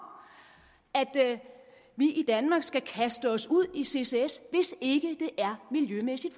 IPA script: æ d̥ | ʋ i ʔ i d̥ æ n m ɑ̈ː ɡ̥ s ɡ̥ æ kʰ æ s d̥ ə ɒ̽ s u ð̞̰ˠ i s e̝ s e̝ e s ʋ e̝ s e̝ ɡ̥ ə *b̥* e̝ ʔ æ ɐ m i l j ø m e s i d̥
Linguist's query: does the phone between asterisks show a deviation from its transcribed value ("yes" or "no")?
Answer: yes